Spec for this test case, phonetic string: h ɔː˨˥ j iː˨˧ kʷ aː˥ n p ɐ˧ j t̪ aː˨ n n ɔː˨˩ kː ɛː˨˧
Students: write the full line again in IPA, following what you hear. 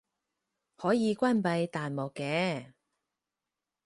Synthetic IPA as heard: h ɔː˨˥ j iː˨˧ kʷ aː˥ n p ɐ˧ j t̪ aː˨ n m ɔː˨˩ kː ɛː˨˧